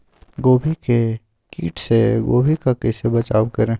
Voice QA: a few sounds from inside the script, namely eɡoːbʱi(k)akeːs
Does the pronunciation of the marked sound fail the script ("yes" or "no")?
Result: no